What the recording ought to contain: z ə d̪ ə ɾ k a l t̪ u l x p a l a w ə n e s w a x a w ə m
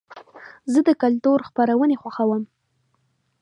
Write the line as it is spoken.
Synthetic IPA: z ə d̪ ə k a l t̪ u ɾ x p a ɾ a w ə n e x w a x a w ə m